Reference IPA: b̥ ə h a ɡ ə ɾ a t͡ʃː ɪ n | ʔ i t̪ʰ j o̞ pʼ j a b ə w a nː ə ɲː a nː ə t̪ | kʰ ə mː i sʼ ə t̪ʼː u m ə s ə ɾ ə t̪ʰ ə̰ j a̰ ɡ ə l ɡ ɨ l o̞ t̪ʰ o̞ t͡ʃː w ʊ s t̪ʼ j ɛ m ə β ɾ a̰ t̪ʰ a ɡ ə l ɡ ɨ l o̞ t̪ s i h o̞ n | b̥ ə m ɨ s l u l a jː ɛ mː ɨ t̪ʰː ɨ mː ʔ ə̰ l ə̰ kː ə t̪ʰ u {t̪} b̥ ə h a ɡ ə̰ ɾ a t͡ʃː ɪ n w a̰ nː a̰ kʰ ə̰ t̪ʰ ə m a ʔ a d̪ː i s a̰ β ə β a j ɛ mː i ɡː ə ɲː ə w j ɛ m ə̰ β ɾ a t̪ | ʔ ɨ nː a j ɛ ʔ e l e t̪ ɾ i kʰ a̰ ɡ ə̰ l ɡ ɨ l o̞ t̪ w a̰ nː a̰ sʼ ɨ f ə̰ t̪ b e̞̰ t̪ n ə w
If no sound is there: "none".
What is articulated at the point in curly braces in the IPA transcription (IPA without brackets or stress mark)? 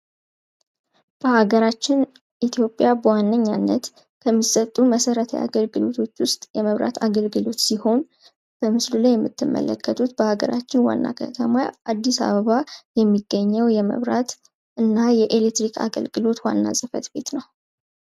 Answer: t̪